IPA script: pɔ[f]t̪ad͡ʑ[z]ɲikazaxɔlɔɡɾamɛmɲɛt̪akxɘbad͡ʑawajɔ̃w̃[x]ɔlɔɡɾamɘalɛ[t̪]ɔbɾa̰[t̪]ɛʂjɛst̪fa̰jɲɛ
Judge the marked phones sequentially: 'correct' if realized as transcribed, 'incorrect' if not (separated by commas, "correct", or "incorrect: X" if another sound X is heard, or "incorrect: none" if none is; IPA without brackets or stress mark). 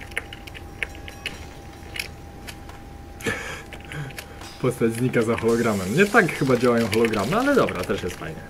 incorrect: s, correct, correct, incorrect: d̪, correct